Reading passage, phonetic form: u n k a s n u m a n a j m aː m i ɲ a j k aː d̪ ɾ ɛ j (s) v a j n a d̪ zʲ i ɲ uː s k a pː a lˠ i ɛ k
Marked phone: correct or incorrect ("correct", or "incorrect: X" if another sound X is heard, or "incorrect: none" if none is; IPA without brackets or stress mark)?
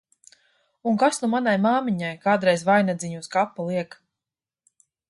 incorrect: z